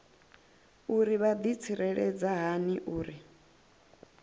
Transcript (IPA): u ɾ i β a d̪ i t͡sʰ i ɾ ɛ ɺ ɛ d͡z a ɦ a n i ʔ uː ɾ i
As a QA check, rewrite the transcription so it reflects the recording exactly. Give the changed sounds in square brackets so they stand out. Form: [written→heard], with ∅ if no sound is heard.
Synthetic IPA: u ɾ i β a d̪ i t͡sʰ i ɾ ɛ ɺ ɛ d͡z a ɦ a n i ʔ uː ɾ i